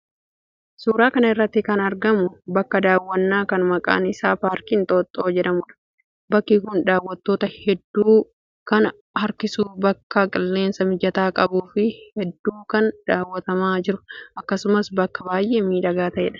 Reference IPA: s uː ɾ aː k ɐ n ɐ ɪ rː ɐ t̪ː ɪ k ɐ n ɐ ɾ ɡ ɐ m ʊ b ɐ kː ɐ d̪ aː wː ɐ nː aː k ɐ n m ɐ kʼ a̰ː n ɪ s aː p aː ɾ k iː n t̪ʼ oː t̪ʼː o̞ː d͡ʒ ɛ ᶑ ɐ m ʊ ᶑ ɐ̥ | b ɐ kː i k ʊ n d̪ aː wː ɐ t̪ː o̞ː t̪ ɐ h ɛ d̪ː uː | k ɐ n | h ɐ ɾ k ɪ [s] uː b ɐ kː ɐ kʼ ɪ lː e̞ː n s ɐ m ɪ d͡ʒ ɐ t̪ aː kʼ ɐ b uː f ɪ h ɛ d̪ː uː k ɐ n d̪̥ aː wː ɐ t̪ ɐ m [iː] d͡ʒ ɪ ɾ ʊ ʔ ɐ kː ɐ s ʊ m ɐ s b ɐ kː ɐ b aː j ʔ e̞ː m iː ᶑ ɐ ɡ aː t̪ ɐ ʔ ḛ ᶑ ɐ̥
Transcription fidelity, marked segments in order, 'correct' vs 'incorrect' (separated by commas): correct, incorrect